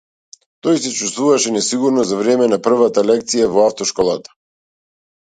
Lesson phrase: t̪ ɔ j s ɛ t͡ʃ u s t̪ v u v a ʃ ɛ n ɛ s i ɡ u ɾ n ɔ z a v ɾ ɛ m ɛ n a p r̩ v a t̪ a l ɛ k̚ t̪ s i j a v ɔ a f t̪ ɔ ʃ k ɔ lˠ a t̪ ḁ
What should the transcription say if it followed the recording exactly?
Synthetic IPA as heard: t̪ ɔ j s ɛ t͡ʃ u s t̪ v u v a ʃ ɛ n ɛ s i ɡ u ɾ n ɔ z a v ɾ ɛ m ɛ n a p r̩ v a t̪ a l ɛ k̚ t̪ s i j a v ɔ a f t̪ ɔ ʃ k ɔ lˠ a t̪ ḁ